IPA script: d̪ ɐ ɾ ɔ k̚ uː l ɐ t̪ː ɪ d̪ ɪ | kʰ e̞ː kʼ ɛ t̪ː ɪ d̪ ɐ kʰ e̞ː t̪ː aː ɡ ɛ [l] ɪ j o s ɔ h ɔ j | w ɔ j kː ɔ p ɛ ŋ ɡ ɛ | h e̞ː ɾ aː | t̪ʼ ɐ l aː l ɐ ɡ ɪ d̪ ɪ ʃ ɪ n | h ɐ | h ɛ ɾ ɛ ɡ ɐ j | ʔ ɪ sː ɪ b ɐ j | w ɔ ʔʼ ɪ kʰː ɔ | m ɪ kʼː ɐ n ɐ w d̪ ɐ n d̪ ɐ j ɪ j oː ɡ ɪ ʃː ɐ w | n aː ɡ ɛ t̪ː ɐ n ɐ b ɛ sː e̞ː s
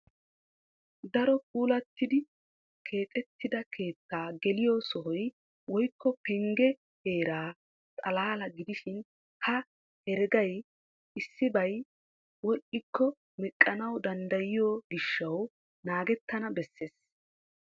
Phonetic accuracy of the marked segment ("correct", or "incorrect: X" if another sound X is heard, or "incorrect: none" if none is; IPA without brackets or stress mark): correct